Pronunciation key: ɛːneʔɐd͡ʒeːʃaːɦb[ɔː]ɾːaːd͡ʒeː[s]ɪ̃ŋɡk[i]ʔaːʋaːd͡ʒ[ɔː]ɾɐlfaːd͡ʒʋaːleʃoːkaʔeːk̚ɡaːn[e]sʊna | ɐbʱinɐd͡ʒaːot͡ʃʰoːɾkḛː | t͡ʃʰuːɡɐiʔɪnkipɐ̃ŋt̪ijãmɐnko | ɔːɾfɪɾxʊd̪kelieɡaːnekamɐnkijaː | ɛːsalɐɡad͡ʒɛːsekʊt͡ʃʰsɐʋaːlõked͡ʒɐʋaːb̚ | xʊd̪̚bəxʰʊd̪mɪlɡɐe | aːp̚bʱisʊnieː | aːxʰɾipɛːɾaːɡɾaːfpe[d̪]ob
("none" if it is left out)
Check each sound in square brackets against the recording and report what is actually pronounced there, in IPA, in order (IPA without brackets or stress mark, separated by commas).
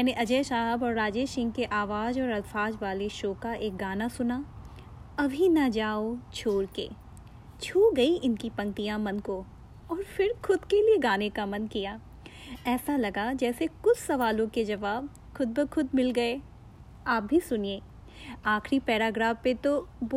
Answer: ɔː, ʃ, e, ɔː, a, t̪